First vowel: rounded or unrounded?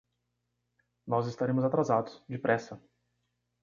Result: rounded